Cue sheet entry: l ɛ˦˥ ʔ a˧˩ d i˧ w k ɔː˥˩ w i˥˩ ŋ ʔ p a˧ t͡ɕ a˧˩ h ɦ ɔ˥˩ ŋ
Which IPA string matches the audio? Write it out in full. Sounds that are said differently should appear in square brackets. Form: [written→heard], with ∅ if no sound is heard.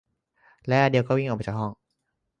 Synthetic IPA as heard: l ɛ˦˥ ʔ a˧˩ d i˧ w k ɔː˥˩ w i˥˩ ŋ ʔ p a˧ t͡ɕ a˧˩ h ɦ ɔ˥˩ ŋ